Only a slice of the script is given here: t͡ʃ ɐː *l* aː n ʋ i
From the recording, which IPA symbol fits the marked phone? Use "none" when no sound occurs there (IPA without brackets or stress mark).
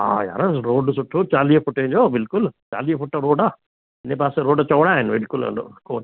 ɽ